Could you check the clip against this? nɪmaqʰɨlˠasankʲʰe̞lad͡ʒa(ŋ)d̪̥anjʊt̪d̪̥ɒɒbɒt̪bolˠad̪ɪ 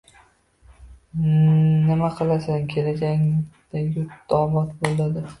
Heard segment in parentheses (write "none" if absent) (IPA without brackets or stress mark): ŋ